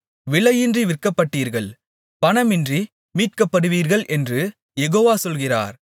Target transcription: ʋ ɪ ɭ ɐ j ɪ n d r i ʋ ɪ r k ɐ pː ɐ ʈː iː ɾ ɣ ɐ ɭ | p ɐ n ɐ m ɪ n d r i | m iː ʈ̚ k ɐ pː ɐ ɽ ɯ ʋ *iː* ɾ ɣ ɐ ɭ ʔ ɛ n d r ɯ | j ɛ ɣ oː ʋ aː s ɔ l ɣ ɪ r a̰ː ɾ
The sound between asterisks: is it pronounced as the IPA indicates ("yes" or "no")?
yes